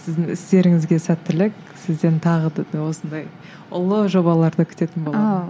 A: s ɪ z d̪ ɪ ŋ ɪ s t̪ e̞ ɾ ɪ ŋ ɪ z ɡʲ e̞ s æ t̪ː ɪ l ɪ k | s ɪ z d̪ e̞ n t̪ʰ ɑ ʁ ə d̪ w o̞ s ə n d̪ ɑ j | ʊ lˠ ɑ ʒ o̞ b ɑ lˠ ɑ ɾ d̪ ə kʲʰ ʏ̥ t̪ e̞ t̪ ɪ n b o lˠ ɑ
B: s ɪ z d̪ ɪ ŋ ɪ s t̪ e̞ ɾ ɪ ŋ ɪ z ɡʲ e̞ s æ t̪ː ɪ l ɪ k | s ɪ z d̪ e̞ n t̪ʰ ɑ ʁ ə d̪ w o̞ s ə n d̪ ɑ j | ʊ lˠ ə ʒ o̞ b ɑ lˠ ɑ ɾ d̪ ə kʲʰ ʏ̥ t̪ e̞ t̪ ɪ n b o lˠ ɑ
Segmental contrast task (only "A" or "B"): B